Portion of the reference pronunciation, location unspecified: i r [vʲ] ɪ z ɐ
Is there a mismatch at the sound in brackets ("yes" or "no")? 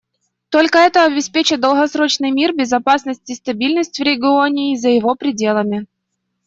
yes